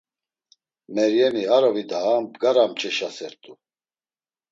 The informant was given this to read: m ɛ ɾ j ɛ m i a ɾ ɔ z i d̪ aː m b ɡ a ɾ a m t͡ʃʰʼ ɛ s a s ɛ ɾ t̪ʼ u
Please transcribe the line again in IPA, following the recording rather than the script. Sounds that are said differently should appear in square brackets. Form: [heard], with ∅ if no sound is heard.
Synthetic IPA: m ɛ ɾ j ɛ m i a ɾ ɔ [v] i d̪ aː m b ɡ a ɾ a m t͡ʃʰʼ ɛ [ʃ] a s ɛ ɾ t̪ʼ u